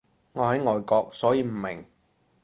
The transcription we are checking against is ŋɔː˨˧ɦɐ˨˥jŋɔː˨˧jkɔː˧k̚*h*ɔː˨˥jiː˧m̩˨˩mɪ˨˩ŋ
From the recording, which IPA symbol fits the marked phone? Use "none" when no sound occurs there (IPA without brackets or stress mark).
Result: s